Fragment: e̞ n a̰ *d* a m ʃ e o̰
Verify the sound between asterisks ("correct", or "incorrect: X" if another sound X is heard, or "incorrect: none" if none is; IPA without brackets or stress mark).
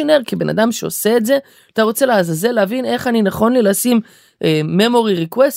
correct